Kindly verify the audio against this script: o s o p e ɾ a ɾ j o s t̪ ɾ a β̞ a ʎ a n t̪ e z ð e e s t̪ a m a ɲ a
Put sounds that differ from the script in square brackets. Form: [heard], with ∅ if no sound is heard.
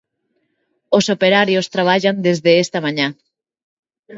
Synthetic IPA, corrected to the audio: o s o p e ɾ a ɾ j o s t̪ ɾ a β̞ a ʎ a n [d̪] e z ð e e s t̪ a m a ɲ a